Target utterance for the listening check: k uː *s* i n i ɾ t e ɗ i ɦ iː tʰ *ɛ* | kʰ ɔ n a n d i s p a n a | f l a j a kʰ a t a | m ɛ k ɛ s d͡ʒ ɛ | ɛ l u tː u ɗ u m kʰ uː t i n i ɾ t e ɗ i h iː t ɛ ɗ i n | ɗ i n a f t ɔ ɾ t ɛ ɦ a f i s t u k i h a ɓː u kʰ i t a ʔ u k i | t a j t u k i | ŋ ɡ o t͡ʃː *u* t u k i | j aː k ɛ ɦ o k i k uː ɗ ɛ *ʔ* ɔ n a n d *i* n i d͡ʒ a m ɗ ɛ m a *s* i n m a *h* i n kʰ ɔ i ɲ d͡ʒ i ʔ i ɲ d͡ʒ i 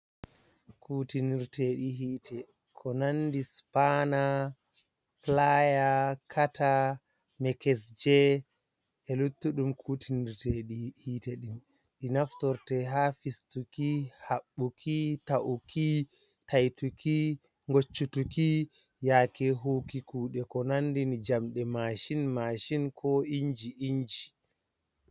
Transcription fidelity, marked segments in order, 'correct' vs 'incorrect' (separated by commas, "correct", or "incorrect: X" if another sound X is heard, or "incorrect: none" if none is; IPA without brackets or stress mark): incorrect: t, correct, correct, incorrect: k, correct, incorrect: ʃ, incorrect: ʃ